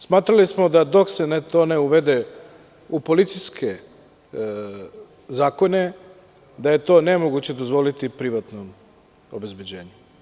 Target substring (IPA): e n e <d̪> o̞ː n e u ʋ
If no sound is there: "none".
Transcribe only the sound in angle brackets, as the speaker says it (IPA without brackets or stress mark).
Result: t̪